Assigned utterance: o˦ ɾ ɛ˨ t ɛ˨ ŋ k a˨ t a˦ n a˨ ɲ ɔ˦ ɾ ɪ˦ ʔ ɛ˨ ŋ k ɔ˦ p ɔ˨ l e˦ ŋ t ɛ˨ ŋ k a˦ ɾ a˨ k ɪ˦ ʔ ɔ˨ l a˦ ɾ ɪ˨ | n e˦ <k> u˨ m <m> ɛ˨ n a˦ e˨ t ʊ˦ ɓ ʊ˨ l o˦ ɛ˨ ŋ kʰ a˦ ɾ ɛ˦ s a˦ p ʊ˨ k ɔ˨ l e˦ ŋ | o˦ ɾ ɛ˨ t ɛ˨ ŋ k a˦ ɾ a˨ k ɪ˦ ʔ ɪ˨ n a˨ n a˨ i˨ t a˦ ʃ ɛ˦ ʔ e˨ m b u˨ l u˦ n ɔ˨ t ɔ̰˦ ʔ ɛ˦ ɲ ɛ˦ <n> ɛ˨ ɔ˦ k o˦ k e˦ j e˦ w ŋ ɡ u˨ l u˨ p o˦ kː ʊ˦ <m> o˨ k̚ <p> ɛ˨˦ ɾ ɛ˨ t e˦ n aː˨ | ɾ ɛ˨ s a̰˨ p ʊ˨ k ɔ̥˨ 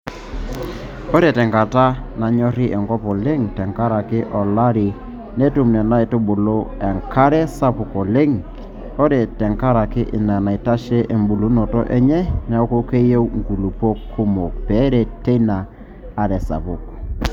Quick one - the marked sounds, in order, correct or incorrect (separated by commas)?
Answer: incorrect, incorrect, correct, correct, correct